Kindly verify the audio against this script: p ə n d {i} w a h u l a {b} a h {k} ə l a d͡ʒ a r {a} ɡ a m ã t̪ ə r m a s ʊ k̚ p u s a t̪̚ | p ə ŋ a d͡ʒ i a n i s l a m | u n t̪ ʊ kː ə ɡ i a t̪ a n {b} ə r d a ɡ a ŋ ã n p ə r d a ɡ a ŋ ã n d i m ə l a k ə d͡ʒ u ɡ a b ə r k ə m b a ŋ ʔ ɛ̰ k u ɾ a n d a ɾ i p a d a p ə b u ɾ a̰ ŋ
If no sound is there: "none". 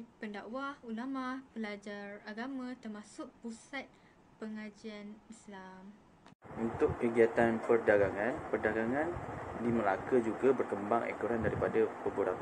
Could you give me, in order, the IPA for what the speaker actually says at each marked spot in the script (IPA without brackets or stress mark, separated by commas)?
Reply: a, m, p, a, p